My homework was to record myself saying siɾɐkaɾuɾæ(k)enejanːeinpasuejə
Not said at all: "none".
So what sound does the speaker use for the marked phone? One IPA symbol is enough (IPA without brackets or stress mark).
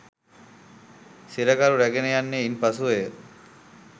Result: ɡ